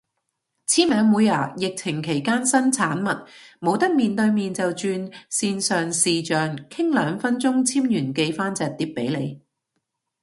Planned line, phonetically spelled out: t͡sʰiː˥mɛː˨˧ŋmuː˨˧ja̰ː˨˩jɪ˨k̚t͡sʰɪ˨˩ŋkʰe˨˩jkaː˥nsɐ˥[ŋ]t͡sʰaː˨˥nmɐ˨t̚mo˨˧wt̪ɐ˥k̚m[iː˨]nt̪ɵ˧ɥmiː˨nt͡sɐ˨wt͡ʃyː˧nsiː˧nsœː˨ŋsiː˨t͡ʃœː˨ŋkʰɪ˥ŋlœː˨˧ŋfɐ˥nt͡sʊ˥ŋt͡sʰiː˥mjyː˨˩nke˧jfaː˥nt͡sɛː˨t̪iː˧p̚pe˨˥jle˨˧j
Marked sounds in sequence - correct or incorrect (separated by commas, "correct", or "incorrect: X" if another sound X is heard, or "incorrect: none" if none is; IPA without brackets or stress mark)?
incorrect: n, correct